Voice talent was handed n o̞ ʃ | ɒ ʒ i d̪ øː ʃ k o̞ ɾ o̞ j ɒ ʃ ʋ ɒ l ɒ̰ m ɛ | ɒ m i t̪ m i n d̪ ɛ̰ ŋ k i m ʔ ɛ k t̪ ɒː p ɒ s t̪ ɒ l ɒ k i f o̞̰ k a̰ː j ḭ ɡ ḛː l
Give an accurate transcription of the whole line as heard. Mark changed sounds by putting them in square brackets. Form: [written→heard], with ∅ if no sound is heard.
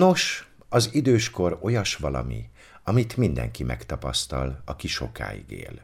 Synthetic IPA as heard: n o̞ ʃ | ɒ [ʒ→z] i d̪ øː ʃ k o̞ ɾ o̞ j ɒ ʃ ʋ ɒ l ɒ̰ m [ɛ→i] | ɒ m i t̪ m i n d̪ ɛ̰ ŋ k i m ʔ ɛ k t̪ [ɒː→ɒ] p ɒ s t̪ ɒ l ɒ k i [f→ʃ] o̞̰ k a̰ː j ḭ ɡ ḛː l